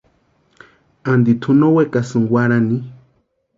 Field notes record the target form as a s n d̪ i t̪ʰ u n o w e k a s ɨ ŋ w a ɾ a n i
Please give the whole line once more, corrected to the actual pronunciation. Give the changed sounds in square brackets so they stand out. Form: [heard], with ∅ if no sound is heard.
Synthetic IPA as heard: a [∅] n d̪ i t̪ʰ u n o w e k a s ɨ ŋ w a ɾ a n i